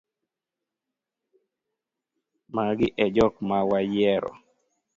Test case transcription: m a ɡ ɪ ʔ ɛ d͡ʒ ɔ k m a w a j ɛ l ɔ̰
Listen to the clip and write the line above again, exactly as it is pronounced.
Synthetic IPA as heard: m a ɡ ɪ ʔ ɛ d͡ʒ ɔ k m a w a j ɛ ɾ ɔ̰